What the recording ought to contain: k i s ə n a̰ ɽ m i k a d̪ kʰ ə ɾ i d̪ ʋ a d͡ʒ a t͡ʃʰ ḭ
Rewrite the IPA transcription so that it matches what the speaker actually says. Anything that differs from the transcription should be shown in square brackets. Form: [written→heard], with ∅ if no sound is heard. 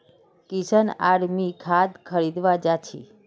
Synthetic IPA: k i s ə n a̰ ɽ m i [k→kʰ] a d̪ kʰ ə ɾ i d̪ ʋ a d͡ʒ a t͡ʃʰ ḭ